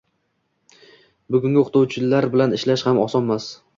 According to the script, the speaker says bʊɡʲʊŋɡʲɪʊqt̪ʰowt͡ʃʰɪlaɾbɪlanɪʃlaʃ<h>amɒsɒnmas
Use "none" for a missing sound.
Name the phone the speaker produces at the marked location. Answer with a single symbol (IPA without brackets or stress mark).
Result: h